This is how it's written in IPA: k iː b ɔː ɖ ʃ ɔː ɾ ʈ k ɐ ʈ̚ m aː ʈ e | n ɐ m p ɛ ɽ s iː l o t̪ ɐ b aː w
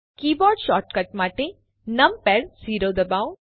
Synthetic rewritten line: k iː b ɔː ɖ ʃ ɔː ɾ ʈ k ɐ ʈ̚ m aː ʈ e | n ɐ m p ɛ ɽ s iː ɾ o d̪ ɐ b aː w